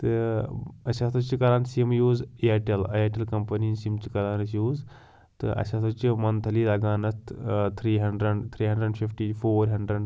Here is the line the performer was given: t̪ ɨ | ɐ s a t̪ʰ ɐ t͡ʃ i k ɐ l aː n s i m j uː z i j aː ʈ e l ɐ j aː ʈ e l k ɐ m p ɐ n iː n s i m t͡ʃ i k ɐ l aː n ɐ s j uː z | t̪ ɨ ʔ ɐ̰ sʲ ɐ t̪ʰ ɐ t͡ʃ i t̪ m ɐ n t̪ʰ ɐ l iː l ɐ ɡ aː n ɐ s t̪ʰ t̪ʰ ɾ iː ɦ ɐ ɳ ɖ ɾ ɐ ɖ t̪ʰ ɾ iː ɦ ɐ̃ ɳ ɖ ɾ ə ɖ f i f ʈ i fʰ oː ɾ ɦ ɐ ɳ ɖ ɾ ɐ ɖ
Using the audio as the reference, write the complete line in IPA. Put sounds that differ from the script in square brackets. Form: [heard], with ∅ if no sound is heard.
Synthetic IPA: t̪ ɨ | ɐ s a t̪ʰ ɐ t͡ʃ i k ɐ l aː n s i m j uː z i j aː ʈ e l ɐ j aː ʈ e l k ɐ m p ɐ n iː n s i m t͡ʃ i k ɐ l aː n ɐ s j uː z | t̪ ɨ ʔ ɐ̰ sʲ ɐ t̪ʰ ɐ t͡ʃ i [∅] m ɐ n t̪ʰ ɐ l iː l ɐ ɡ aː n ɐ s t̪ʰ t̪ʰ ɾ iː ɦ ɐ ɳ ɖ ɾ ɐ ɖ t̪ʰ ɾ iː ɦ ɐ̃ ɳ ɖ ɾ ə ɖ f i f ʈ i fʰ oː ɾ ɦ ɐ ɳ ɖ ɾ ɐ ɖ